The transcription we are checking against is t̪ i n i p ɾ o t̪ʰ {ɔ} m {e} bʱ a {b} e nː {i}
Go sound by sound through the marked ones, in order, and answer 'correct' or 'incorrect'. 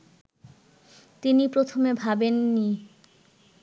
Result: incorrect, correct, correct, correct

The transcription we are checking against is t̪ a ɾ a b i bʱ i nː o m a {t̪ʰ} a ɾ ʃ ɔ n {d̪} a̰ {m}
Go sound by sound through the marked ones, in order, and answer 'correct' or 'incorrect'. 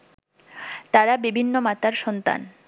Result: incorrect, incorrect, incorrect

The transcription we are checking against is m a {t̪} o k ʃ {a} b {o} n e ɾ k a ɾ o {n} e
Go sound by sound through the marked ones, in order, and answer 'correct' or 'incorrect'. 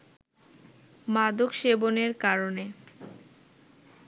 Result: incorrect, incorrect, correct, correct

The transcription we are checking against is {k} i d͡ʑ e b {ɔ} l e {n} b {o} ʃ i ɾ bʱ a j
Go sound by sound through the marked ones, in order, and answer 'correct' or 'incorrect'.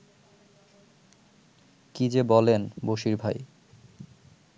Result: correct, correct, correct, correct

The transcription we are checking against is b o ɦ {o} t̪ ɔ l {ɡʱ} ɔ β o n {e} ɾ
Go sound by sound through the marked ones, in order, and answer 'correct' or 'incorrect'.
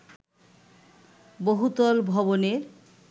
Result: incorrect, incorrect, correct

